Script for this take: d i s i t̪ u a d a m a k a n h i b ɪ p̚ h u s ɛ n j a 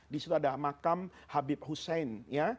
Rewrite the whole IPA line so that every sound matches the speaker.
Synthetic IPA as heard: d i s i t̪ u a d a m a k a m h a b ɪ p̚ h u s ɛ n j a

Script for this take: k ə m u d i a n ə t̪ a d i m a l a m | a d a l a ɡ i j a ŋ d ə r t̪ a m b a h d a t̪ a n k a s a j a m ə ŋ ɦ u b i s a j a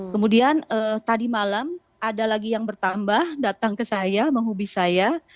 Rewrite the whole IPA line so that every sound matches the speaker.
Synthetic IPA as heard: k ə m u d i a n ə t̪ a d i m a l a m | a d a l a ɡ i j a ŋ b ə r t̪ a m b a h d a t̪ a ŋ k ə s a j a m ə ŋ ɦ u b i s a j a

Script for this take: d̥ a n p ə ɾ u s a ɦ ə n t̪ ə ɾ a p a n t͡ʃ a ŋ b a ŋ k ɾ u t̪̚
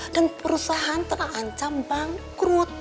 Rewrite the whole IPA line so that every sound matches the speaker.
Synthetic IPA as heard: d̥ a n p ə ɾ u s a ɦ a n t̪ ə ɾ a k a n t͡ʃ a m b a ŋ k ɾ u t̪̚

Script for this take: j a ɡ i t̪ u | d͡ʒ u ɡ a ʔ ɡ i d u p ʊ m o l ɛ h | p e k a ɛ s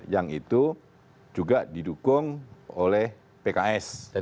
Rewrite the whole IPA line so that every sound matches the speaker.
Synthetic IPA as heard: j a ŋ i t̪ u | d͡ʒ u ɡ a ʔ d i d u k ʊ ŋ o l ɛ h | p e k a ɛ s

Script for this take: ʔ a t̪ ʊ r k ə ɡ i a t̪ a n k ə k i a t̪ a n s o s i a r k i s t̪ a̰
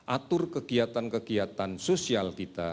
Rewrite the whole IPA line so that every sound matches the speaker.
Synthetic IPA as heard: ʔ a t̪ ʊ r k ə ɡ i a t̪ a n k ə ɡ i a t̪ a n s o s i a l k i t̪ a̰

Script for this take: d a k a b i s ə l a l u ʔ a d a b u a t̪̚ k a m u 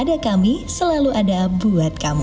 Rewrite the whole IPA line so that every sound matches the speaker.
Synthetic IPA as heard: d a k a m i s ə l a l u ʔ a d a b u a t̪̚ k a m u

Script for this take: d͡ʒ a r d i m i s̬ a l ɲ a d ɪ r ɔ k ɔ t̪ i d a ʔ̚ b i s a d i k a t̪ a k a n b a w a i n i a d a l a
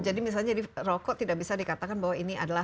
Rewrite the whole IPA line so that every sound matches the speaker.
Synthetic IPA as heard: d͡ʒ a d i m i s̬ a l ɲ a d i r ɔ k ɔ t̪ i d a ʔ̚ b i s a d i k a t̪ a k a n b a w a i n i a d a l a

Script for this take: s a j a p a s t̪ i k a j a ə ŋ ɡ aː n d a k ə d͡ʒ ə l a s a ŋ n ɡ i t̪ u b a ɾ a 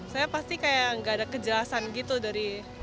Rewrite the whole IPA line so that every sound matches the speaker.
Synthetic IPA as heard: s a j a p a s t̪ i k a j a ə ŋ ɡ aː d a k ə d͡ʒ ə l a s a n ɡ i t̪ u d a ɾ i

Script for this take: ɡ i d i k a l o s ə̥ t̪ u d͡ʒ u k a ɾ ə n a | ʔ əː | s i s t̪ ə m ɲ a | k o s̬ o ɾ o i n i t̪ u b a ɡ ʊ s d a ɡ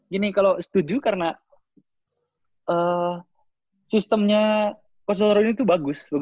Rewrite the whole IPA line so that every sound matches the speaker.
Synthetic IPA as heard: ɡ i n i k a l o s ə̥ t̪ u d͡ʒ u k a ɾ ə n a | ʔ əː | s i s t̪ ə m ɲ a | k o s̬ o ɾ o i n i t̪ u b a ɡ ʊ s b a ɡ

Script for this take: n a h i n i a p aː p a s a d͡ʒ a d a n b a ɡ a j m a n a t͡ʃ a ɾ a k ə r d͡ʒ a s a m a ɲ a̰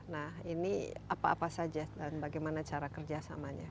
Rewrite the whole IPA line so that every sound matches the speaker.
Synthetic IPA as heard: n a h i n i a p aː p a s a d͡ʒ a d a n b a ɡ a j m a n a t͡ʃ a ɾ a k ə r d͡ʒ a s a m a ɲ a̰

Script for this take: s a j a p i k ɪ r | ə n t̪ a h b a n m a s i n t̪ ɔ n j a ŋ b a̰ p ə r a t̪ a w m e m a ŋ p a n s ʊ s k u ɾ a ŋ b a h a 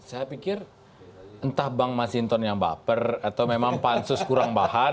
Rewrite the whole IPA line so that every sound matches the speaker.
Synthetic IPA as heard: s a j a p i k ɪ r | ə n t̪ a h b a ŋ m a s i n t̪ ɔ n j a ŋ b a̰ p ə r a t̪ a w m e m a ŋ p a n s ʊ s k u ɾ a ŋ b a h a

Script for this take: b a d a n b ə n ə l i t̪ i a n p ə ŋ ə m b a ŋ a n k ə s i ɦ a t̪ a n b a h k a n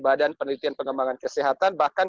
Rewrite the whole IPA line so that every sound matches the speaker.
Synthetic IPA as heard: b a d a n p ə n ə l i t̪ i a n p ə ŋ ə m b a ŋ a n k ə s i ɦ a t̪ a n b a h k a n

